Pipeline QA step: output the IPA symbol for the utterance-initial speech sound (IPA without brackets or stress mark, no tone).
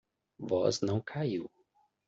v